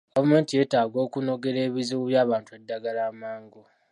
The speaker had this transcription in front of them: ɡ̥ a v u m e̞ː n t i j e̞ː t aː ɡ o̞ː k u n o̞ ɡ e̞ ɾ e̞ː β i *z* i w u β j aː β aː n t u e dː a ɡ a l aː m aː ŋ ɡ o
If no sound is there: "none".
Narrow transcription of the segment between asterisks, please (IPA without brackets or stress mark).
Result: z